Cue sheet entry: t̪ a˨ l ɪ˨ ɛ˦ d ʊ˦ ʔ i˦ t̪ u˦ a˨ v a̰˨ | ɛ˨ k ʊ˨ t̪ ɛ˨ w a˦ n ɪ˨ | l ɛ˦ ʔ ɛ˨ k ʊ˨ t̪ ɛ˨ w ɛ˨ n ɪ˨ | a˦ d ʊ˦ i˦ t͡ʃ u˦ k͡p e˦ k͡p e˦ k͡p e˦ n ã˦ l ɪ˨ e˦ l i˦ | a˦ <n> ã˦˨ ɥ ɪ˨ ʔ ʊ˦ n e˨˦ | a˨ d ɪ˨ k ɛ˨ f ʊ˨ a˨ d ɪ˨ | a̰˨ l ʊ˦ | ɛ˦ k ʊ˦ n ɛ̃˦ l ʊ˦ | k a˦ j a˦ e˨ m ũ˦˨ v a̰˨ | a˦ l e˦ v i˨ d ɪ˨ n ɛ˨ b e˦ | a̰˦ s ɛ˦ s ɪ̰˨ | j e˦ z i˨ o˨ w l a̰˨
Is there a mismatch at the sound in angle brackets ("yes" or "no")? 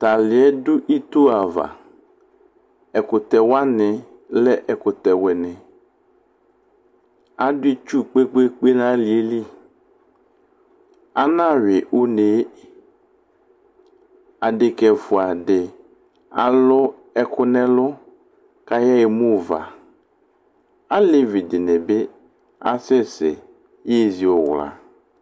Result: no